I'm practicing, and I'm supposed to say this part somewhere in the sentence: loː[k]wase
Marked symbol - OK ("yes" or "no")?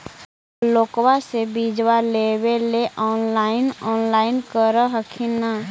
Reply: yes